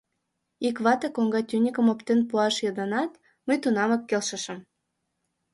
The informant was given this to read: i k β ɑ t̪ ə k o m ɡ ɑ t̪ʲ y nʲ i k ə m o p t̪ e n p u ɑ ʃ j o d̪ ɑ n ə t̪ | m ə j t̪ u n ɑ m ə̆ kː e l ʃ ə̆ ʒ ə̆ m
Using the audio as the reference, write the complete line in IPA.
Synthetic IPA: i k β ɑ t̪ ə k o ŋ ɡ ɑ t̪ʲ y nʲ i k ə m o p t̪ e n p u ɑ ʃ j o d̪ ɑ n ɑ t̪ | m ə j t̪ u n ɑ m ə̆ kː e l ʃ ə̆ ʃ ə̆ m

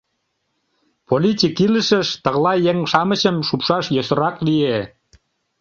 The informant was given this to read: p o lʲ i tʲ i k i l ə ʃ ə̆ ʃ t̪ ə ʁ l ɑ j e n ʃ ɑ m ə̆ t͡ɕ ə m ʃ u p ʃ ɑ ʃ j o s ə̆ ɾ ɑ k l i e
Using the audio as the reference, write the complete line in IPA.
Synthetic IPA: p o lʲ i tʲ i k i l ə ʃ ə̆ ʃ t̪ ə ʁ l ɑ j e ŋ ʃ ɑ m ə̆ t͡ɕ ə m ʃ u p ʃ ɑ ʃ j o s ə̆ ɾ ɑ k l i e

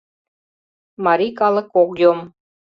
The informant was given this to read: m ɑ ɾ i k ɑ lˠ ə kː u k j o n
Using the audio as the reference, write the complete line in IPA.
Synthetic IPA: m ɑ ɾ i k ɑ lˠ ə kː o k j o m

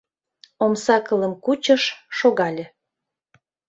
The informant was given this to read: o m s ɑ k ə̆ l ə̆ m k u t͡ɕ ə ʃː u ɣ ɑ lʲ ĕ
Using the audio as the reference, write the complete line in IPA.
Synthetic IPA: o m s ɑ k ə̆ l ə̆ m k u t͡ɕ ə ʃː o ɣ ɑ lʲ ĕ

